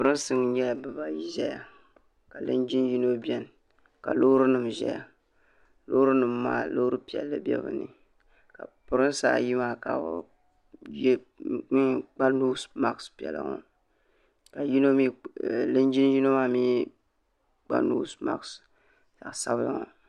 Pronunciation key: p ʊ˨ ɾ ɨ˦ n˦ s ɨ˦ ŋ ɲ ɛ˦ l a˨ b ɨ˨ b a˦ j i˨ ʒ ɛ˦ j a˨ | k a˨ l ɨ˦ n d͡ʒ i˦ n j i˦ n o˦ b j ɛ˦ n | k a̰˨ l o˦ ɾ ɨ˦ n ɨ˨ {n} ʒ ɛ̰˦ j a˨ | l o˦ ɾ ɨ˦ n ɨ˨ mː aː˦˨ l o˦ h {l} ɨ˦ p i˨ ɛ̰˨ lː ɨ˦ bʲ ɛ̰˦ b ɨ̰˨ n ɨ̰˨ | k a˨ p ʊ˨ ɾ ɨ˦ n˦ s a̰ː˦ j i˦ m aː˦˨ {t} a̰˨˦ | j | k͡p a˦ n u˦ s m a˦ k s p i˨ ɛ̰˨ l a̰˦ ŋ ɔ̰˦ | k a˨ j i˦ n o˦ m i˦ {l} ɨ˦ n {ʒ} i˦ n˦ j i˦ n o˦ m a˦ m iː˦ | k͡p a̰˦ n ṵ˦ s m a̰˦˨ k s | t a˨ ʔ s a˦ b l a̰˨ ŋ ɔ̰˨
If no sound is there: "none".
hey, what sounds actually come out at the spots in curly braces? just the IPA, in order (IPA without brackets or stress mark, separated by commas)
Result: m, ɾ, k, l, d͡ʒ